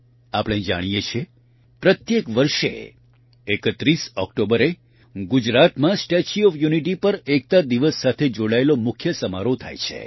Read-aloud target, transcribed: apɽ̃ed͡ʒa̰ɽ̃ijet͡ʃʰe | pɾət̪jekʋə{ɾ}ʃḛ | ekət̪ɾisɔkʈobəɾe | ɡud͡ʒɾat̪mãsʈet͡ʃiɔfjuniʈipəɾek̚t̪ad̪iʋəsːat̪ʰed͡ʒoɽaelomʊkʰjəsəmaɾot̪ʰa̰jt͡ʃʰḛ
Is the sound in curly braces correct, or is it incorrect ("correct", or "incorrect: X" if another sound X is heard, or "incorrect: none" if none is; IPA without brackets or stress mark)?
correct